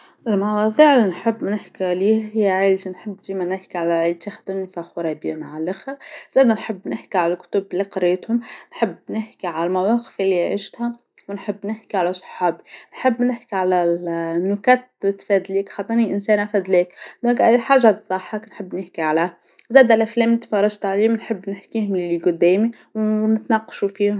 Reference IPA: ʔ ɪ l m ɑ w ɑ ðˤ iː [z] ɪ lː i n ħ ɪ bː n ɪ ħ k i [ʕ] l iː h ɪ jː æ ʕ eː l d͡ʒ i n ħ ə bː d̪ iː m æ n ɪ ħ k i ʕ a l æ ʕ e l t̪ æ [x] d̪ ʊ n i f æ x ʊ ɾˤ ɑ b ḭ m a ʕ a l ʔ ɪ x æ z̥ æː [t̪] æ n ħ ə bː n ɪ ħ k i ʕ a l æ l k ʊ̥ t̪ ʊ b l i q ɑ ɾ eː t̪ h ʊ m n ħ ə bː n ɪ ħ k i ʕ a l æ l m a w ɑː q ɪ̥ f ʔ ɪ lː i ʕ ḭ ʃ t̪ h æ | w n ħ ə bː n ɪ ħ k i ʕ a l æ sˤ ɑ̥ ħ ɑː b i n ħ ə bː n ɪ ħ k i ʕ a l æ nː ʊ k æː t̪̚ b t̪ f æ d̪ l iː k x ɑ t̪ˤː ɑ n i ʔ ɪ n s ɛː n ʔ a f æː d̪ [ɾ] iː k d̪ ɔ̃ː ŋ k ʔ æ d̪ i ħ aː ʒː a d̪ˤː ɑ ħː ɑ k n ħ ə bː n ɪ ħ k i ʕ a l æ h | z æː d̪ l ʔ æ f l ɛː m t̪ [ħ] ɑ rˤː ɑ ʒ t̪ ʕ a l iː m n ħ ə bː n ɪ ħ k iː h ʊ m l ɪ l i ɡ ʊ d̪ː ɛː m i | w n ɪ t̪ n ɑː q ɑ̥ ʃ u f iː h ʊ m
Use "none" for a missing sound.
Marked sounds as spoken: ʕ, ʕ, x, d̪, l, f

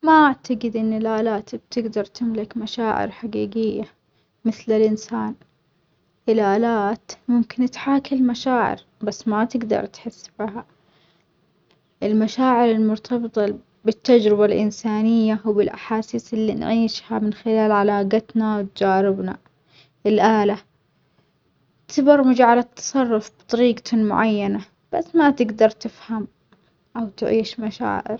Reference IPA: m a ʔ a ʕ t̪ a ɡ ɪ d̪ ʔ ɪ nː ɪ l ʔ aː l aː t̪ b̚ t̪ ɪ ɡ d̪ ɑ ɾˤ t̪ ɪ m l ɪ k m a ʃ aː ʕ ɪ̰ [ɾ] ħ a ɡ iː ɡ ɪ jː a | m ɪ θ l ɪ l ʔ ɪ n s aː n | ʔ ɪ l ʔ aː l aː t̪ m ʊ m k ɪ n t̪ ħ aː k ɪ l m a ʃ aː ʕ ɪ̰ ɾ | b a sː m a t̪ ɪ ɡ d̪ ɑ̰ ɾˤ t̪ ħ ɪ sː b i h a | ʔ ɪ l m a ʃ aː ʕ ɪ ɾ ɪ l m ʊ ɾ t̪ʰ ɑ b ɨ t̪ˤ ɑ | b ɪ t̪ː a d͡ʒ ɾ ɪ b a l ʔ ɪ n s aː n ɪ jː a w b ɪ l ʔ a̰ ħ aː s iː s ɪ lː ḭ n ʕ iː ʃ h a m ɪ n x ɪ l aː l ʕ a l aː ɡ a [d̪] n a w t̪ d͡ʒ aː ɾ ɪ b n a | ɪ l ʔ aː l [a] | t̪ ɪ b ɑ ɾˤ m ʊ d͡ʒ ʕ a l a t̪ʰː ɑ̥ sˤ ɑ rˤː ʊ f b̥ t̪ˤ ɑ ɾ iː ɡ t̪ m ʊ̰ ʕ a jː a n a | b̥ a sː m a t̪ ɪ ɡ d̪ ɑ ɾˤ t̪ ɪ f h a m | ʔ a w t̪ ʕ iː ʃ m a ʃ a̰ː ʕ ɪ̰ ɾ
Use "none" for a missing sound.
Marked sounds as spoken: ɾ, t̪, a

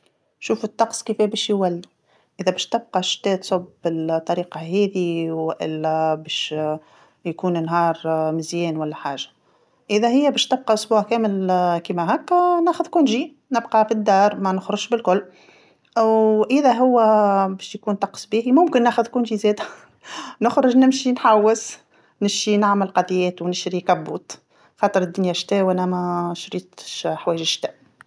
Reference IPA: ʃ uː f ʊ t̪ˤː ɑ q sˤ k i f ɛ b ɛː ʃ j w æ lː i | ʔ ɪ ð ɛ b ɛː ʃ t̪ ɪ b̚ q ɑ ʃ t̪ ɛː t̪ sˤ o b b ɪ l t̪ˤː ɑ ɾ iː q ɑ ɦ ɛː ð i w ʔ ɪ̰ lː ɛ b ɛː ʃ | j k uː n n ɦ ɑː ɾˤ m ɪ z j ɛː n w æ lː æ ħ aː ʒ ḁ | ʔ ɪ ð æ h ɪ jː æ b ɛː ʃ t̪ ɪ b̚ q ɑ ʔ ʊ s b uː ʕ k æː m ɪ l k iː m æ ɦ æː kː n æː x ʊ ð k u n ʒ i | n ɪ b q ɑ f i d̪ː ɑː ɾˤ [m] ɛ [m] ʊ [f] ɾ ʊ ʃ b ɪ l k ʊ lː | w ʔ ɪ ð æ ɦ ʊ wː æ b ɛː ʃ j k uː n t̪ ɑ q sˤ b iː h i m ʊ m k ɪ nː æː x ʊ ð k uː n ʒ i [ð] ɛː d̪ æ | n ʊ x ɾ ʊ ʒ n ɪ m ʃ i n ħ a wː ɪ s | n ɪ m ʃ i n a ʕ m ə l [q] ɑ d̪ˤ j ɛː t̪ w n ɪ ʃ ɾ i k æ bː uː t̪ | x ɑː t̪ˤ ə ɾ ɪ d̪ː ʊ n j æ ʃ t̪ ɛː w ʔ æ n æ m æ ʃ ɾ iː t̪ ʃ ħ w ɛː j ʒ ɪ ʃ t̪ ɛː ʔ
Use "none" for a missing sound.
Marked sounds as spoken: m, n, x, z, q

